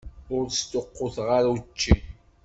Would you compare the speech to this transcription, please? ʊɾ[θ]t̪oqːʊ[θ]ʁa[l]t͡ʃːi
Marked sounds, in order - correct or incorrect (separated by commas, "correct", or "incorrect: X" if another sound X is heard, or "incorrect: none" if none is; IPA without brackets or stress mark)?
incorrect: s, correct, incorrect: ɾ